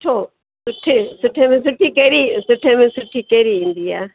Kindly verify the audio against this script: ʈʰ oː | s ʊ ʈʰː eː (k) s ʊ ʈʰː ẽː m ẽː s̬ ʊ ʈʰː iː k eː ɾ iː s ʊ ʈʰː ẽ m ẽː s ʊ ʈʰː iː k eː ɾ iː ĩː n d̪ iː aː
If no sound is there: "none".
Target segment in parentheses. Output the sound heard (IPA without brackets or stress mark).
none